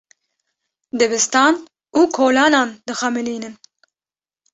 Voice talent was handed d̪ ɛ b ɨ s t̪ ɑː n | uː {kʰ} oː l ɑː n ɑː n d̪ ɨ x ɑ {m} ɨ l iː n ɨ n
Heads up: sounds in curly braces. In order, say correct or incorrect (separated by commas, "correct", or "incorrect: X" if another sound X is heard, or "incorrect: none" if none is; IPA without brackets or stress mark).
correct, correct